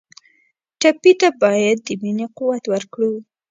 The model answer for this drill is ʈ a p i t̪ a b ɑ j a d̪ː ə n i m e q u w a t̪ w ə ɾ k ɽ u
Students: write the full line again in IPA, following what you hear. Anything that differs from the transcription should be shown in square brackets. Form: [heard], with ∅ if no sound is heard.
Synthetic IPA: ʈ a p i t̪ a b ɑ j a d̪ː ə [m] i [n] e q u w a t̪ w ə ɾ k ɽ u

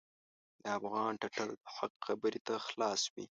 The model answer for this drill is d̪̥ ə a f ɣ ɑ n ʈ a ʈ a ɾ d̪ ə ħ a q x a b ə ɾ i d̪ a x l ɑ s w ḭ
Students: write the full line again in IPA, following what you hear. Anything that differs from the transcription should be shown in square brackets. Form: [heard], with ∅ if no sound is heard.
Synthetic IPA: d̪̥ ə a f ɣ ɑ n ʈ a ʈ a [l] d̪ ə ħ a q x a b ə ɾ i [t̪] a x l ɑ s w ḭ

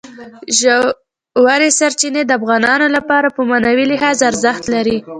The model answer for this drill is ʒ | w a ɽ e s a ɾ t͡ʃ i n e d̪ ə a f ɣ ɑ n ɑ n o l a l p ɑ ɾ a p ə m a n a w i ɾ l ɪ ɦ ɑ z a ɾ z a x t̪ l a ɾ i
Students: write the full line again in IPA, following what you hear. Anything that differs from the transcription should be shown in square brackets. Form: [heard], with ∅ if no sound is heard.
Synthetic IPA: ʒ | w a [ɾ] e s a ɾ t͡ʃ i n e d̪ ə a f ɣ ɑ n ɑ n o l a [∅] p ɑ ɾ a p ə m a n a w i [∅] l ɪ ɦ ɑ z a ɾ z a x t̪ l a ɾ i

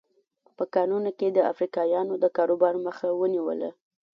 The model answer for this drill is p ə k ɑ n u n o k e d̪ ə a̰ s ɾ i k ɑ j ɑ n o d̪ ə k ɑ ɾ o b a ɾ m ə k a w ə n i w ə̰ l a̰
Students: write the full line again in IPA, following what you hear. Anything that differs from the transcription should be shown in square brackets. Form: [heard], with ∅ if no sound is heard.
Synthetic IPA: p ə k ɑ n u n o k e d̪ ə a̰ [f] ɾ i k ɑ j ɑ n o d̪ ə k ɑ ɾ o b [ɑ] ɾ m ə [x] a w ə n i w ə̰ l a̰

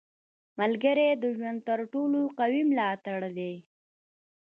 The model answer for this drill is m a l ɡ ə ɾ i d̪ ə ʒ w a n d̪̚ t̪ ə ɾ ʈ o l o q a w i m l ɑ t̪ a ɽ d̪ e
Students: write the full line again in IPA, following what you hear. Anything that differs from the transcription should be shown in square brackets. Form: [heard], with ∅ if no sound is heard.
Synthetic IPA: m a l ɡ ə ɾ [e] d̪ ə ʒ w a n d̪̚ t̪ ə ɾ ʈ o l o q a w i m l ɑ t̪ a ɽ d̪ e

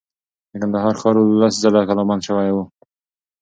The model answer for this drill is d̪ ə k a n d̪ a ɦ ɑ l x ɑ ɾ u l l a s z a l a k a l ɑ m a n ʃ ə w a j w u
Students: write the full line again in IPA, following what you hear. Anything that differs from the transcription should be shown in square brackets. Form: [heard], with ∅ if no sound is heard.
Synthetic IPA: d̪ ə k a n d̪ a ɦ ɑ [ɾ] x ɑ ɾ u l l a s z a l a k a l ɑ m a n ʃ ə w a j w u

